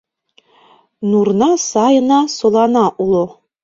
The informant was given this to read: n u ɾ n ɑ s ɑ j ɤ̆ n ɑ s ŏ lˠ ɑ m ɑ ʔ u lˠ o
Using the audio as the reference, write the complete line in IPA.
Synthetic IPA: n u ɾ n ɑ s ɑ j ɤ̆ n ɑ s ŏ lˠ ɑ n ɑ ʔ u lˠ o

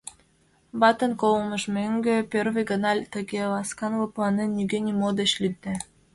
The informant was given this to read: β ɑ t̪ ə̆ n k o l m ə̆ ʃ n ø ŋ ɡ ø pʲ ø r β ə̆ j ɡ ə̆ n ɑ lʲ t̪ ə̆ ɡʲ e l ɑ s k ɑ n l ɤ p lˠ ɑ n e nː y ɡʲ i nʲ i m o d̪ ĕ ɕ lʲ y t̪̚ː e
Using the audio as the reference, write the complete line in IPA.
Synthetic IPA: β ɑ t̪ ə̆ n k o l m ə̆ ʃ m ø ŋ ɡ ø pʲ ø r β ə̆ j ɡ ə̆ n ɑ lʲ t̪ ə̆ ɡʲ e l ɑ s k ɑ n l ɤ p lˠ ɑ n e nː y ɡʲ e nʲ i m o d̪ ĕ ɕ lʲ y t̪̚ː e

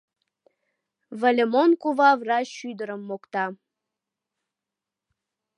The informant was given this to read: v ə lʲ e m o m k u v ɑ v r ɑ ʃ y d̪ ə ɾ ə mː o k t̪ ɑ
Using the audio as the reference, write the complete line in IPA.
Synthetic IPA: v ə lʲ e m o n k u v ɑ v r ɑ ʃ y d̪ ə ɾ ə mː o k t̪ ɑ

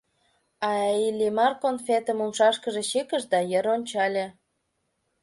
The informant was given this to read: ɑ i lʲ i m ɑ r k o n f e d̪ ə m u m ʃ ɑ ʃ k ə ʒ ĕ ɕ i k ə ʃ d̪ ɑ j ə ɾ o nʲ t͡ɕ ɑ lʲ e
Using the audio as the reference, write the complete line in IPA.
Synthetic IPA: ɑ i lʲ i m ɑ r k o n f e t̪ ə m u m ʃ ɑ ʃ k ə ʒ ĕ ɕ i k ə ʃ d̪ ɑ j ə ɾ o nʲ t͡ɕ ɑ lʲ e

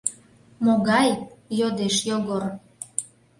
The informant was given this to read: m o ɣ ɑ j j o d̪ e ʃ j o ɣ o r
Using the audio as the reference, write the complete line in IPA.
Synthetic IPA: m o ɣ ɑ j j o d̪ e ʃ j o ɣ o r

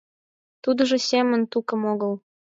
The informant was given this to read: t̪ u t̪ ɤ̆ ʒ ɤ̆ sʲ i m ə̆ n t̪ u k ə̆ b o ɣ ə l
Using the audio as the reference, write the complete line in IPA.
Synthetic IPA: t̪ u d̪ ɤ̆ ʒ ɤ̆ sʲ e m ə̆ n t̪ u k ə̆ m o ɣ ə l

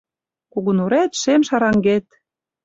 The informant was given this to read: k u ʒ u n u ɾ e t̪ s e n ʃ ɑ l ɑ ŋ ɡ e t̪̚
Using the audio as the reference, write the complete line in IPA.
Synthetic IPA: k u ɣ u n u ɾ æ t̪ ʃ e m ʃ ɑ ɾ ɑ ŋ ɡ e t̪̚

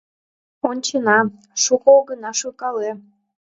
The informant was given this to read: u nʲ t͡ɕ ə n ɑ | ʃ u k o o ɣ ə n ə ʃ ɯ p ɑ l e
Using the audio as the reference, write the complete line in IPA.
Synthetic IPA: o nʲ t͡ɕ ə n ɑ | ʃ u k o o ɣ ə n ɑ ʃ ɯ k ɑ l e

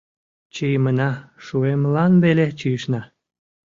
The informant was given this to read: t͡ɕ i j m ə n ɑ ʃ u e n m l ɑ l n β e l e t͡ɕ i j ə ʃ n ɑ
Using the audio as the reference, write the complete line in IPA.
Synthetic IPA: t͡ɕ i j m ə n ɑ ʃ u e m l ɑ n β e l e t͡ɕ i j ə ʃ n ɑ

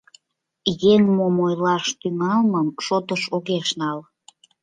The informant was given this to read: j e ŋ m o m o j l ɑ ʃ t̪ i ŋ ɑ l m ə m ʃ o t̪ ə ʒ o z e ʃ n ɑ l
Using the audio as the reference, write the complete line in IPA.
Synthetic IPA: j e ŋ m o m o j l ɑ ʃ t̪ y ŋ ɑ l m ə m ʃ o t̪ ə ʃ o ɣ e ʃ n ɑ l

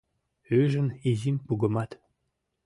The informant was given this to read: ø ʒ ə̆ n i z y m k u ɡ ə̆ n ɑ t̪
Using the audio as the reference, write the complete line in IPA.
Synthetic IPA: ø ʒ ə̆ n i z i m p u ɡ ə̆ m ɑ t̪

